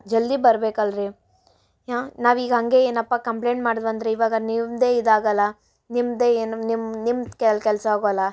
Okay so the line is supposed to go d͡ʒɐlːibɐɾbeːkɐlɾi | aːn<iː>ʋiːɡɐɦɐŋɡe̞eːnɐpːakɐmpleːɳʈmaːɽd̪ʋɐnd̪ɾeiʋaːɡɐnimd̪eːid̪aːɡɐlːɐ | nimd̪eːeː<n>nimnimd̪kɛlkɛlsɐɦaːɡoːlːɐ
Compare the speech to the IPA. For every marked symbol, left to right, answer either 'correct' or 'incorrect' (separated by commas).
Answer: incorrect, correct